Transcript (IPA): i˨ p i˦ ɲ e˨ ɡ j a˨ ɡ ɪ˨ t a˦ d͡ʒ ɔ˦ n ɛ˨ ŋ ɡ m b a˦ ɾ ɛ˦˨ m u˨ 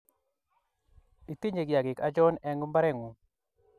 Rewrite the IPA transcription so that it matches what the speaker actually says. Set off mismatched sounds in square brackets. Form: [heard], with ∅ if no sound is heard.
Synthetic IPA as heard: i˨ [t] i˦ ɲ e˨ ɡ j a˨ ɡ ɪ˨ [k] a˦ d͡ʒ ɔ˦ n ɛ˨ ŋ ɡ m b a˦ ɾ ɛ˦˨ [ŋ] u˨